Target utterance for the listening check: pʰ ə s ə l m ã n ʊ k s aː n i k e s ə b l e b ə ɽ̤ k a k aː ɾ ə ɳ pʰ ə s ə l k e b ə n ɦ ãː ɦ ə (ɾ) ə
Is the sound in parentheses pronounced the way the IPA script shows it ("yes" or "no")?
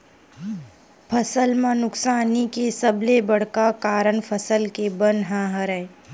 yes